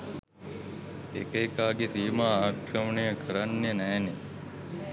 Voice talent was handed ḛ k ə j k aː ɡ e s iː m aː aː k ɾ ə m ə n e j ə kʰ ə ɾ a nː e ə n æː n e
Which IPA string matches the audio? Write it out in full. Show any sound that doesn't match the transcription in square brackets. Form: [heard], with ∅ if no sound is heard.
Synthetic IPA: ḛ k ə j k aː ɡ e s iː m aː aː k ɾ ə m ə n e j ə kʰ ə ɾ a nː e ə n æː n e